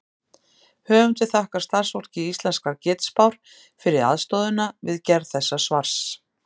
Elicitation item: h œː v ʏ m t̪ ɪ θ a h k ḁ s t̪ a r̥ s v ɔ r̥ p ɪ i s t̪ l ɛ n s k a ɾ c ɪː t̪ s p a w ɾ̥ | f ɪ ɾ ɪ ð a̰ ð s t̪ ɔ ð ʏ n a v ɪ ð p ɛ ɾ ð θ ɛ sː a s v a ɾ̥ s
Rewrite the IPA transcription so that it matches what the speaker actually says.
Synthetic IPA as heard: h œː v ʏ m t̪ ɪ θ a h k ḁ s t̪ a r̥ s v ɔ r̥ c ɪ i s t̪ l ɛ n s k a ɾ c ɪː t̪ s p a w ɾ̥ | f ɪ ɾ ɪ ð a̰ ð s t̪ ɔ ð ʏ n a v ɪ ð c ɛ ɾ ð θ ɛ sː a s v a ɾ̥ s